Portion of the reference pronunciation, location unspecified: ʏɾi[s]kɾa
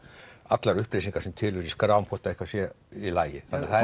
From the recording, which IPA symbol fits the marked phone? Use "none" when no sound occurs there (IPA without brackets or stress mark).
s